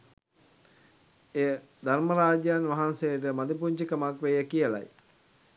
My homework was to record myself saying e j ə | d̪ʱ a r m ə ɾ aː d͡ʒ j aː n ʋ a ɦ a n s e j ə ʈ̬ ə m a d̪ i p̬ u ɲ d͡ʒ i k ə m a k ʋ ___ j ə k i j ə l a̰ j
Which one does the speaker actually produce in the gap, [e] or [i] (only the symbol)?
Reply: e